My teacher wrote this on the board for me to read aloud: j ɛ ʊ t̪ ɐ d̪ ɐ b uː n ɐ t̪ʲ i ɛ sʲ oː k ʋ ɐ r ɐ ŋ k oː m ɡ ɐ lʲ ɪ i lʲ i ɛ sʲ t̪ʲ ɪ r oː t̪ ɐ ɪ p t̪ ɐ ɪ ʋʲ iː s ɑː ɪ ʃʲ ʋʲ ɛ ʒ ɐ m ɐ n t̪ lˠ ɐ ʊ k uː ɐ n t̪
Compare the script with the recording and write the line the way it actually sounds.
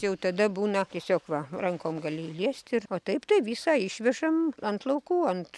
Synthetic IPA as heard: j ɛ ʊ t̪ ɐ d̪ ɐ b uː n ɐ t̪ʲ i ɛ sʲ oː k ʋ ɐ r ɐ ŋ k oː m ɡ ɐ lʲ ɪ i lʲ i ɛ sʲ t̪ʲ ɪ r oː t̪ ɐ ɪ p t̪ ɐ ɪ ʋʲ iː s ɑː ɪ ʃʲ ʋʲ ɛ ʒ ɐ m ɐ n t̪ lˠ ɐ ʊ k uː ɐ n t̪